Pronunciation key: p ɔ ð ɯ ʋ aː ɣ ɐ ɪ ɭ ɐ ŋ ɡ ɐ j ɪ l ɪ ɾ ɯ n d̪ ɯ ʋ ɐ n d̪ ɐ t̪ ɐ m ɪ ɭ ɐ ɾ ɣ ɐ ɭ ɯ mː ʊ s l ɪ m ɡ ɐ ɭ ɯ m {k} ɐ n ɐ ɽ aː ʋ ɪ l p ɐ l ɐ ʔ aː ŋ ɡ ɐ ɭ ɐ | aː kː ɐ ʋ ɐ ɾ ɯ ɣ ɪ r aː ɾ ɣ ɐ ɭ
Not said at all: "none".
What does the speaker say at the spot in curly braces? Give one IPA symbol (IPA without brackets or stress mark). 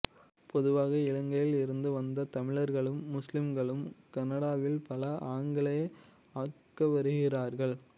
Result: k